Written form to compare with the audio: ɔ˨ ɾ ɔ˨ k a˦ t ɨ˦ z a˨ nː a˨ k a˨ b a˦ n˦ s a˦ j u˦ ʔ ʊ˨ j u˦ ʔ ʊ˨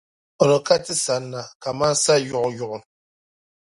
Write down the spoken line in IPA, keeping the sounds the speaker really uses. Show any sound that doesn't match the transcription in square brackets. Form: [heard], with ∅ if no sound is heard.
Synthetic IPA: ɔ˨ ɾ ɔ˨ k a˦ t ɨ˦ [s] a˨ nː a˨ k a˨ [m] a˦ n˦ s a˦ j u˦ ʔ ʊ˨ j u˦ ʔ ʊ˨